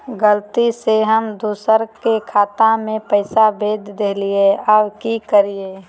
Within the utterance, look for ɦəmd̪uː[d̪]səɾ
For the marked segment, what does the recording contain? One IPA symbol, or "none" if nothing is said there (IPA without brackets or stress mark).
none